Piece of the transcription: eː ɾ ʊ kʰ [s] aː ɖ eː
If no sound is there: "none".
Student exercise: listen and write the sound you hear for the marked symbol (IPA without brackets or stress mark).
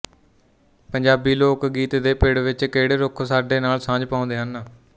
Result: s